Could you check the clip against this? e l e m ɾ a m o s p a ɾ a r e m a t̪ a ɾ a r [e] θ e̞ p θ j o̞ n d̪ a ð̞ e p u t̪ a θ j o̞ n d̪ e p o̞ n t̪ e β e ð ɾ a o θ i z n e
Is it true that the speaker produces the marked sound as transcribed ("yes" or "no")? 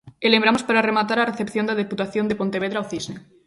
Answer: yes